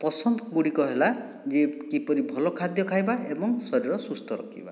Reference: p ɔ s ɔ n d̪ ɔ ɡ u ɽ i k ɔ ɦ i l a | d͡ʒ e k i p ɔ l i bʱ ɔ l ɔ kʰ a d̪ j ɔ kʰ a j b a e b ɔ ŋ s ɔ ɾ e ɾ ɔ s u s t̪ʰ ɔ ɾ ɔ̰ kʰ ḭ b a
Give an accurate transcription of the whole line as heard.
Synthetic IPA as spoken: p ɔ s ɔ n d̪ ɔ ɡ u ɽ i k ɔ ɦ e l a | d͡ʒ e k i p ɔ ɾ i bʱ ɔ l ɔ kʰ a d̪ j ɔ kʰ a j b a e b ɔ ŋ s ɔ ɾ i ɾ ɔ s u s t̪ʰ ɔ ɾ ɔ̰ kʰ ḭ b a